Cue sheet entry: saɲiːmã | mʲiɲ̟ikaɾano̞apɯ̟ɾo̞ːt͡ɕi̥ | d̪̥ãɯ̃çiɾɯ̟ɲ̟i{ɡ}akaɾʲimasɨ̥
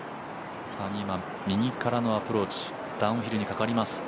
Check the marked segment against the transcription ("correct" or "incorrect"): incorrect